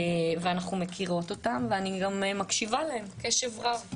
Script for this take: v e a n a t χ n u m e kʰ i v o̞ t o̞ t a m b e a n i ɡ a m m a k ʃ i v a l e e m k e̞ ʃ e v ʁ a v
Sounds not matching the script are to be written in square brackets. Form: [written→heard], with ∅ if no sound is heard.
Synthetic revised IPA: v e a n a [t→∅] χ n u m e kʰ i [v→ʁ] o̞ t o̞ t a m [b→v] e a n i ɡ a m m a k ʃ i v a l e e m k e̞ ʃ e v ʁ a v